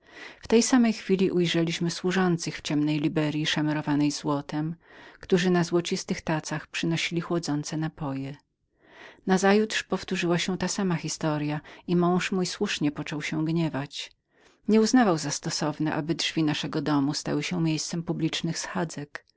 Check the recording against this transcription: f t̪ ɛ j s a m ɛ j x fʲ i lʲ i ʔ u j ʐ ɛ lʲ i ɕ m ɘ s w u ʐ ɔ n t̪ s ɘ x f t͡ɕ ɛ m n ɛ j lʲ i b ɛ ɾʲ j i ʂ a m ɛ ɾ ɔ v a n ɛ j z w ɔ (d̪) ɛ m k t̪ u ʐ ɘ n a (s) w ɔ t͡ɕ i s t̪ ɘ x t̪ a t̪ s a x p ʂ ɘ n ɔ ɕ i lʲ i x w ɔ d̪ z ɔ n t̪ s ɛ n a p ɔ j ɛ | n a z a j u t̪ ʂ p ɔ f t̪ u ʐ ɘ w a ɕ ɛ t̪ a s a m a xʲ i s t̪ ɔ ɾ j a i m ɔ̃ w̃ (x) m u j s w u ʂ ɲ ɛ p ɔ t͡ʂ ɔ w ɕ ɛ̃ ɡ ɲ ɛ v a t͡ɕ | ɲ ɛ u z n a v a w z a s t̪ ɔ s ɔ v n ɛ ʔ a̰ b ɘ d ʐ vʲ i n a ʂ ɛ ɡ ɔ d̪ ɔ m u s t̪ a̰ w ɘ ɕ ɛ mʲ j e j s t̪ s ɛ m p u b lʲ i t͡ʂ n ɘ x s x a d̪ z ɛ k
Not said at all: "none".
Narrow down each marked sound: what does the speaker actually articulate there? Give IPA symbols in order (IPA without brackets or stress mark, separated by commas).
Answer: t̪, z, ʂ